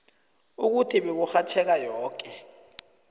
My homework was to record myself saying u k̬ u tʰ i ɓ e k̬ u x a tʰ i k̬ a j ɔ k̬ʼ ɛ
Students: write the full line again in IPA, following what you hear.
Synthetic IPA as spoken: u k̬ u tʰ i ɓ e k̬ u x a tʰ ɛ k̬ a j ɔː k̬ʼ ɛ